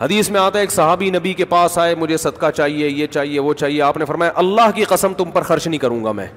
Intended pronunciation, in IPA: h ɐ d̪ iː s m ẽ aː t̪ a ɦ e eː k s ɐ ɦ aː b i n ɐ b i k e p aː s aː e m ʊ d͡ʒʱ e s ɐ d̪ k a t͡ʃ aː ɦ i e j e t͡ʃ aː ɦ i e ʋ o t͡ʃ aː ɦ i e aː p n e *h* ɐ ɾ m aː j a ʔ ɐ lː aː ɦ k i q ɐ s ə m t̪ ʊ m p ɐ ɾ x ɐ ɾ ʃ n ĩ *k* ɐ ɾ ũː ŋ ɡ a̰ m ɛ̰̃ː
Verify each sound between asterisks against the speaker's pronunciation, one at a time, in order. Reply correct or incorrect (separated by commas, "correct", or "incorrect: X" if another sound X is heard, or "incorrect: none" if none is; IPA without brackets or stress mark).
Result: incorrect: f, correct